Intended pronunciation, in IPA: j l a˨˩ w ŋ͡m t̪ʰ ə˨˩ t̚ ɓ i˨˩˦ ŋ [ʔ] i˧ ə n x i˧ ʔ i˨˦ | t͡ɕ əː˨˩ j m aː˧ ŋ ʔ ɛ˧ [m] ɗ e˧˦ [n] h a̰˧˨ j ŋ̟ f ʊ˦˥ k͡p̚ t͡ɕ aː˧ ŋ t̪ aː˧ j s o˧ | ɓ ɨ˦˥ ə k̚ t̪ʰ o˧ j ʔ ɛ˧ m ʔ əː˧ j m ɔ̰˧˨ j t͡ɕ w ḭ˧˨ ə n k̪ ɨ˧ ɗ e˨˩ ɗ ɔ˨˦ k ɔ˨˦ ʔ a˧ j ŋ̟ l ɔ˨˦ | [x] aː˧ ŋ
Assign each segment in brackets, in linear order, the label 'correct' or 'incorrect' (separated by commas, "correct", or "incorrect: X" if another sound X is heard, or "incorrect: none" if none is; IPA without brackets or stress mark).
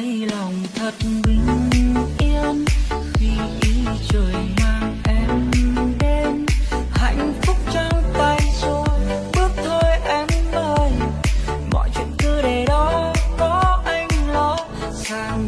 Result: correct, correct, correct, incorrect: s